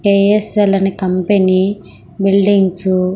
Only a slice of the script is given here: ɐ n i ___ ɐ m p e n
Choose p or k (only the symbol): k